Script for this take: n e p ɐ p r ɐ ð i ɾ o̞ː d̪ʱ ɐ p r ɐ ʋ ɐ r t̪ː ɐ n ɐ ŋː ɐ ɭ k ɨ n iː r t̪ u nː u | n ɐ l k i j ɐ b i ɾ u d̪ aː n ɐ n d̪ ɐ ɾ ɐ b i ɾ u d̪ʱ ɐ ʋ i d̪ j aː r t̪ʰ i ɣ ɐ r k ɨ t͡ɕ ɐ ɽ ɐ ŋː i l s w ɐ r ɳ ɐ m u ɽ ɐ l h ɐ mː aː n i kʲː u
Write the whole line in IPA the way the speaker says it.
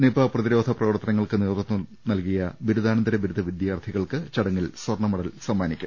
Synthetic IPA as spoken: n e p ɐ p r ɐ ð i ɾ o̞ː d̪ʱ ɐ p r ɐ ʋ ɐ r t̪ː ɐ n ɐ ŋː ɐ ɭ k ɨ n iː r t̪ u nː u | n ɐ l k i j ɐ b i ɾ u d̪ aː n ɐ n d̪ ɐ ɾ ɐ b i ɾ u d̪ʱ ɐ ʋ i d̪ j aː r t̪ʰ i ɣ ɐ ɭ k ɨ t͡ɕ ɐ ɽ ɐ ŋː i l s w ɐ r ɳ ɐ m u ɽ ɐ l s ɐ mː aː n i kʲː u